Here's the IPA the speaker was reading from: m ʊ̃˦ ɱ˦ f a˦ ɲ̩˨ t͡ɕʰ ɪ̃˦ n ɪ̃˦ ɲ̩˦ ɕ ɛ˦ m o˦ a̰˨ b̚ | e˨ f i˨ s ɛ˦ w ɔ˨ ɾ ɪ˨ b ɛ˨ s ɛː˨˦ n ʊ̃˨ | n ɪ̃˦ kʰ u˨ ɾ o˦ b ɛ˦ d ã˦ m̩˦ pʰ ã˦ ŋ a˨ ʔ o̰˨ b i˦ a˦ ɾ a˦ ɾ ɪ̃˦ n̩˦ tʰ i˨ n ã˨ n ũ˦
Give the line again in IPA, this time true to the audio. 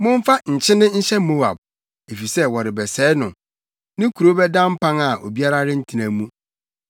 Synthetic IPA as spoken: m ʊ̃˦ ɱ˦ f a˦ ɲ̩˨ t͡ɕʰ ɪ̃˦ n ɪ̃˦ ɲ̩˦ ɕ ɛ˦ m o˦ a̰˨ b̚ | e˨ f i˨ s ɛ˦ w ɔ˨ ɾ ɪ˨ b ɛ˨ s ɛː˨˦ n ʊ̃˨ | n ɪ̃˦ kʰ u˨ ɾ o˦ b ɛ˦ d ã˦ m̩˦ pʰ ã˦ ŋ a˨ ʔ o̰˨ b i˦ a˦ ɾ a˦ ɾ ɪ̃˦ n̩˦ tʰ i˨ n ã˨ m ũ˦